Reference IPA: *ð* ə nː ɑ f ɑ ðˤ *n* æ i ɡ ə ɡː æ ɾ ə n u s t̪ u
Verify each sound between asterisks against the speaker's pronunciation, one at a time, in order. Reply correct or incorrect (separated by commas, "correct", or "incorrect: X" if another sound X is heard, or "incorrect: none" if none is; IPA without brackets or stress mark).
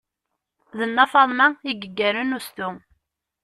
correct, incorrect: m